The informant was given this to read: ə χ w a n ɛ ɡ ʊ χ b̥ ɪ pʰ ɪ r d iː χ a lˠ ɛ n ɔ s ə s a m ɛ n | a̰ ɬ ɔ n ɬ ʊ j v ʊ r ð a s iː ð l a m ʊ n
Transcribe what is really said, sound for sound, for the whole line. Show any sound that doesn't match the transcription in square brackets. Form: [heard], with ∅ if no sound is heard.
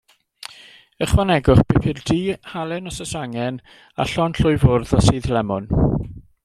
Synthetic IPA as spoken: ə χ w a n ɛ ɡ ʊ χ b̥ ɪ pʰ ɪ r d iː [h] a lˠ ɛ n ɔ s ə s a [ŋ] ɛ n | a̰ ɬ ɔ n ɬ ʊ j v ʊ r ð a s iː ð l [ɛ] m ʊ n